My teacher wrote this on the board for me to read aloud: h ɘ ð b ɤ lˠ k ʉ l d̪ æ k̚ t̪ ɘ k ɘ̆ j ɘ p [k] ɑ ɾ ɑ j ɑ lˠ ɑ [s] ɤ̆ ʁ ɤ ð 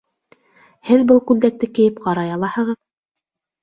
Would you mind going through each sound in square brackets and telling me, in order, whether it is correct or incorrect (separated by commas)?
incorrect, incorrect